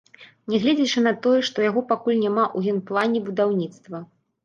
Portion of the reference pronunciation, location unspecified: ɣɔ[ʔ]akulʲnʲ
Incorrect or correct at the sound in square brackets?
incorrect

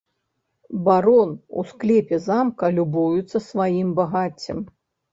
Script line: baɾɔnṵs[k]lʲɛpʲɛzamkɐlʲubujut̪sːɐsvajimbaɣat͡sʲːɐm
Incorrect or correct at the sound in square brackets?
correct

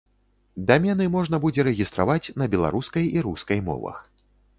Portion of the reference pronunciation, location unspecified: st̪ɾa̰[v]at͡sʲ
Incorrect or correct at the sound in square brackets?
correct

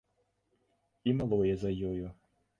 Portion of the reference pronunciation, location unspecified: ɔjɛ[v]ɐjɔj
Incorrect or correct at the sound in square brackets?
incorrect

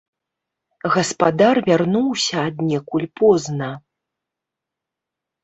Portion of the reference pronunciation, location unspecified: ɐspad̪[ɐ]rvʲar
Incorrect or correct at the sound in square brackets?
incorrect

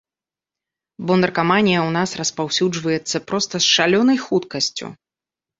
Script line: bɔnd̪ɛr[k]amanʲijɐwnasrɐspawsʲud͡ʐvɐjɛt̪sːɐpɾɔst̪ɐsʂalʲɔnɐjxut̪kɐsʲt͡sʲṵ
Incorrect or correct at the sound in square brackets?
correct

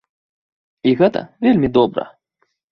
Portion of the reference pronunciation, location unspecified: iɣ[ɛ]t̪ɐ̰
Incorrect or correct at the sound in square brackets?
correct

